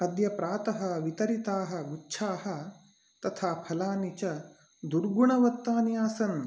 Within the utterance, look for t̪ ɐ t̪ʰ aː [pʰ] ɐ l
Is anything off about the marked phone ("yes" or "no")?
no